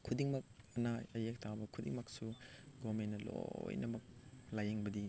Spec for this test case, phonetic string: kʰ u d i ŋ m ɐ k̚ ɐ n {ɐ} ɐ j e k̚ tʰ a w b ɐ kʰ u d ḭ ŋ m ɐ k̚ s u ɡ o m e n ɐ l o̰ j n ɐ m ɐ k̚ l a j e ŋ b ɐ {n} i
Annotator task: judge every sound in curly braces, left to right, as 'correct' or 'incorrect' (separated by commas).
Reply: incorrect, incorrect